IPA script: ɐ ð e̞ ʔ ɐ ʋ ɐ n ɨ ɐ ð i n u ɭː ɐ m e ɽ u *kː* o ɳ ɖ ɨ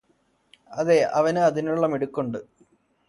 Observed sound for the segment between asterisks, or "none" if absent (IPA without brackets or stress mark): kː